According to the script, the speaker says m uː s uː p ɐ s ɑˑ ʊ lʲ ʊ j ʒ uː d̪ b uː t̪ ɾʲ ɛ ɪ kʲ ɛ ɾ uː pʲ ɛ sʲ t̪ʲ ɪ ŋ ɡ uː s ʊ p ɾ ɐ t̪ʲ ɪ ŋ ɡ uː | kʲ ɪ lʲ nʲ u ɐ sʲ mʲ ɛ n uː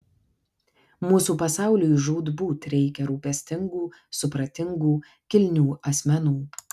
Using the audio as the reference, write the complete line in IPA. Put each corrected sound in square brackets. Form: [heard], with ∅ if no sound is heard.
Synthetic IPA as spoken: m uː s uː p ɐ s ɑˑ ʊ lʲ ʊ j ʒ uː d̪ b uː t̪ ɾʲ ɛ ɪ kʲ ɛ ɾ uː pʲ ɛ sʲ t̪ʲ ɪ ŋ ɡ uː s ʊ p ɾ ɐ t̪ʲ ɪ ŋ ɡ uː | kʲ ɪ lʲ nʲ [uː] ɐ sʲ mʲ ɛ n uː